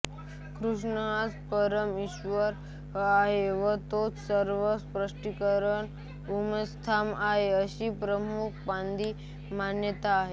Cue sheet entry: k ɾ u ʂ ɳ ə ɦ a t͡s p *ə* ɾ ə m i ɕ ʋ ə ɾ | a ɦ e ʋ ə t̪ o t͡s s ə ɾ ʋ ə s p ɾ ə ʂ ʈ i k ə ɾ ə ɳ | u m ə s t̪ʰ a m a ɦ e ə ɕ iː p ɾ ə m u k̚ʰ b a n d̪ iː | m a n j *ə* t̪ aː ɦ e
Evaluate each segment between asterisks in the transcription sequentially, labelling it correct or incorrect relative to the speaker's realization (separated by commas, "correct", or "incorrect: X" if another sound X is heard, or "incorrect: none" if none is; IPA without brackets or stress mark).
correct, correct